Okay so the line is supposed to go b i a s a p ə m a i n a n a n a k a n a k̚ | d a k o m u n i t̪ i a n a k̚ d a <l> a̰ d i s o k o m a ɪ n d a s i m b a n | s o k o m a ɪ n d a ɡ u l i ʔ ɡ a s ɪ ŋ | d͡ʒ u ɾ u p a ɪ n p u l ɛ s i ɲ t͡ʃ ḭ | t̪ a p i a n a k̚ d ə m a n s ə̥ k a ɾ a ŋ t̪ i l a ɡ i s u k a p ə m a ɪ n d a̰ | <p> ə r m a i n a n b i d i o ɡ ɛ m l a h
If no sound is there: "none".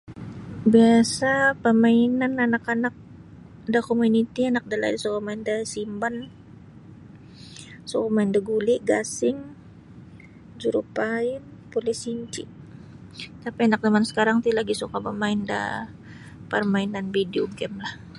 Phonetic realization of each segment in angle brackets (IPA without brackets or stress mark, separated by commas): l, p